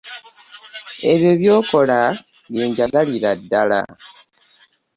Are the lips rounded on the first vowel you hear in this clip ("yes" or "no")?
no